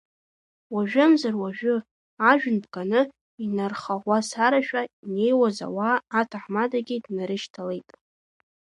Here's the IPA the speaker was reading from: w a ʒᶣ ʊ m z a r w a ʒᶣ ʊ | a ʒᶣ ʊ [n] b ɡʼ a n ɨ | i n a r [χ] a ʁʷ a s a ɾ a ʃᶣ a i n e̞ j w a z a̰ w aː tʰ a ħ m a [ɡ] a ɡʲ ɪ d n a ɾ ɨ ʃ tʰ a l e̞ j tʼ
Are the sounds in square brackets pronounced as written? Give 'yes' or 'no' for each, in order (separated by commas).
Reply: yes, yes, no